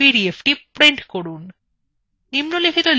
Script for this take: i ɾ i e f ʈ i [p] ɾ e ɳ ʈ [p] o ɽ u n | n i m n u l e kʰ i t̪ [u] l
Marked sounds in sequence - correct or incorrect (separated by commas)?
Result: correct, incorrect, incorrect